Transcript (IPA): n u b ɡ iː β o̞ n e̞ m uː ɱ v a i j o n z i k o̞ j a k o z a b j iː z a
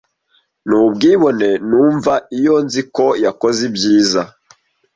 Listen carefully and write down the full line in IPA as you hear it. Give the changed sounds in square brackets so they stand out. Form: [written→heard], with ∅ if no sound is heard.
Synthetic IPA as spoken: n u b ɡ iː β o̞ n e̞ [m→n] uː ɱ v a i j o n z i k o̞ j a k o z [a→i] b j iː z a